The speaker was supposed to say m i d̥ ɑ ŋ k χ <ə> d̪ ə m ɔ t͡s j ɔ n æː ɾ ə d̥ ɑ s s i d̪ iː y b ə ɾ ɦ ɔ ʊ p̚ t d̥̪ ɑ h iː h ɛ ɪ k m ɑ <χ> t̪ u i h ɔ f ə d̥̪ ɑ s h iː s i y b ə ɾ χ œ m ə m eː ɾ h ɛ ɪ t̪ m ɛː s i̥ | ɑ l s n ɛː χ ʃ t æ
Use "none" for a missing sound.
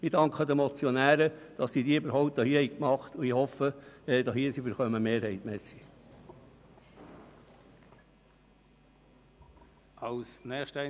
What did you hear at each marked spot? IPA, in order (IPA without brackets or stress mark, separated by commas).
ə, χ